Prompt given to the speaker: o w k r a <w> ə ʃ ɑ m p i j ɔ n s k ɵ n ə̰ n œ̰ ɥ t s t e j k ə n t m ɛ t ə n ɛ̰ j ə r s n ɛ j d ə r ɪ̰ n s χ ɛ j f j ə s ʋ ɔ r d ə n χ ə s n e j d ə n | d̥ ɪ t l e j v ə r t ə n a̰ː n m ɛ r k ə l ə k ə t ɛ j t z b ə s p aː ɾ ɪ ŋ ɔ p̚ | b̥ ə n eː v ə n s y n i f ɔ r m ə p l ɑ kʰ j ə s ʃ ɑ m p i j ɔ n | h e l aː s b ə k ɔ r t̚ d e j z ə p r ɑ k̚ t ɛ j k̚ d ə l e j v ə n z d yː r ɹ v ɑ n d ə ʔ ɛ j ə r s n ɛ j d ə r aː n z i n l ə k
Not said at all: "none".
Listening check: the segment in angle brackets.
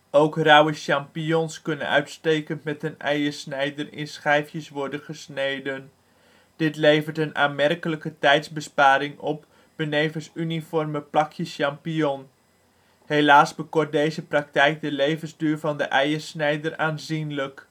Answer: w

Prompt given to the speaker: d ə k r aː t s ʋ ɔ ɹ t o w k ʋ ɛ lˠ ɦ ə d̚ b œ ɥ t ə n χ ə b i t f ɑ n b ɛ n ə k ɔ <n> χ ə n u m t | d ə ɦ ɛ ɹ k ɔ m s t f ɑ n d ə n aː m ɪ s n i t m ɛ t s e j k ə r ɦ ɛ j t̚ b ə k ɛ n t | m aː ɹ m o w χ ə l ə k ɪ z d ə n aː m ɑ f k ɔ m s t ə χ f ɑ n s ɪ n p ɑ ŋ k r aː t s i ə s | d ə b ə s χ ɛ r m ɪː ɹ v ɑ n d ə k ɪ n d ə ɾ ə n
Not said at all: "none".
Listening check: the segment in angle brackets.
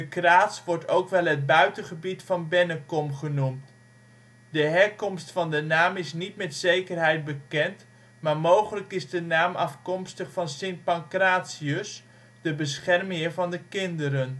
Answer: m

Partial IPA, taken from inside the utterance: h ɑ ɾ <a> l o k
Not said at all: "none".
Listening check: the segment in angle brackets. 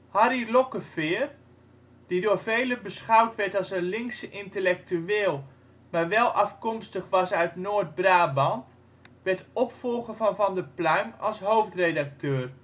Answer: i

